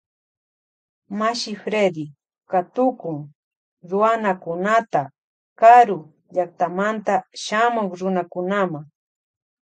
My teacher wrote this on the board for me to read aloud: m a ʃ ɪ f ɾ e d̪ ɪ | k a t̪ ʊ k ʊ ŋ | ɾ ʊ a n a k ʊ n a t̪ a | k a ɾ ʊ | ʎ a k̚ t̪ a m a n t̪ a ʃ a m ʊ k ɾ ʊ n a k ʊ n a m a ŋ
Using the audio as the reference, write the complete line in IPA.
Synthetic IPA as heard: m a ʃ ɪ f ɾ e d̪ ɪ | k a t̪ ʊ k ʊ ŋ | ɾ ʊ a n a k ʊ n a t̪ a | k a ɾ ʊ | ʎ a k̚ t̪ a m a n t̪ a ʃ a m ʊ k ɾ ʊ n a k ʊ n a m a ŋ